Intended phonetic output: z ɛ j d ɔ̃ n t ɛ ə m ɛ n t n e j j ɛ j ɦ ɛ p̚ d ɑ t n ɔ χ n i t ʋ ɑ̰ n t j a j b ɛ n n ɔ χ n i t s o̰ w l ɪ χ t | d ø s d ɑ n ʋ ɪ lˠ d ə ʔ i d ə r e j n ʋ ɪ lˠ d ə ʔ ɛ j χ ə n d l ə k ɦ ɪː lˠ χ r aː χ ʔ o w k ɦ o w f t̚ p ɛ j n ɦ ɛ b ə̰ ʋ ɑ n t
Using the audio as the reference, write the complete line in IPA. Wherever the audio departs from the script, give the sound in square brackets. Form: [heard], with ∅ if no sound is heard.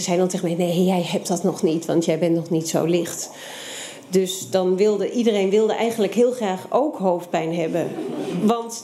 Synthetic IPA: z ɛ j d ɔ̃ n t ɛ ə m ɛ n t n e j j ɛ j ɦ ɛ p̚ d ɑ t n ɔ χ n i t ʋ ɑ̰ n t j [ɛ] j b ɛ n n ɔ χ n i t s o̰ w l ɪ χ t | d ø s d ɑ n ʋ ɪ lˠ d ə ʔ i d ə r e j n ʋ ɪ lˠ d ə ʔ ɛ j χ ə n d l ə k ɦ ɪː lˠ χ r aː χ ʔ o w k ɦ o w f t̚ p ɛ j n ɦ ɛ b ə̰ ʋ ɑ n t